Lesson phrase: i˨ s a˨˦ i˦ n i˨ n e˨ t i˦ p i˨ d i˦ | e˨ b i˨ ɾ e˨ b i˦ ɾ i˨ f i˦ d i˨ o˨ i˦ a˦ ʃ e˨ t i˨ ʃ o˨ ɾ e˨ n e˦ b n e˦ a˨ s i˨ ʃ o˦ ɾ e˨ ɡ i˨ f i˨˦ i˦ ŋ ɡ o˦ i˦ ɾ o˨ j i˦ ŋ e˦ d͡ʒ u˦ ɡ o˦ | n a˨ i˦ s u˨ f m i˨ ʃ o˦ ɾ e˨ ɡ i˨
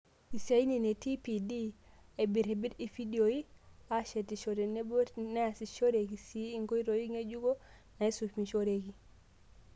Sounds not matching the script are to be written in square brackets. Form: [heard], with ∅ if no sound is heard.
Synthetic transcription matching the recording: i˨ s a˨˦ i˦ n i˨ n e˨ t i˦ p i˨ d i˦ | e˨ b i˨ ɾ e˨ b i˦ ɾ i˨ f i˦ d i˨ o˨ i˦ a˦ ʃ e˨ t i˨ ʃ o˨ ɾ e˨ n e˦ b n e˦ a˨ s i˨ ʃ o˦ ɾ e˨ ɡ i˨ [s] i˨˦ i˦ ŋ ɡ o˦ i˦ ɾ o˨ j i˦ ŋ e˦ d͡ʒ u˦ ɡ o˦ | n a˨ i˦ s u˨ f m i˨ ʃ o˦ ɾ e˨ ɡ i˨

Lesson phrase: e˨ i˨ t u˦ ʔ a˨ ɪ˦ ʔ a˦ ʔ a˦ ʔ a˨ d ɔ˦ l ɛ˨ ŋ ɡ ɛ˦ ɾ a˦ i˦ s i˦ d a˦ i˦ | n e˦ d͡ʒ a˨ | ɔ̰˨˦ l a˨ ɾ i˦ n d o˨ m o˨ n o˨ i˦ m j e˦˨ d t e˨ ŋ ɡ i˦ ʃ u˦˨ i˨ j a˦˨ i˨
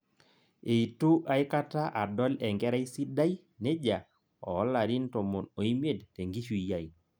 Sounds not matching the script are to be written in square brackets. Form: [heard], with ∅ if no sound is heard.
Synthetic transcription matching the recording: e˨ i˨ t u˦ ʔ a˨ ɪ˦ [k] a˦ [t] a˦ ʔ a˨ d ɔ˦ l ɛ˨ ŋ ɡ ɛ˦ ɾ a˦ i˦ s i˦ d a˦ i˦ | n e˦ d͡ʒ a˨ | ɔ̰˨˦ l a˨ ɾ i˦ n [t] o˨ m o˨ n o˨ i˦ m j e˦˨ d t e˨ ŋ ɡ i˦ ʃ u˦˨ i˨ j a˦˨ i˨

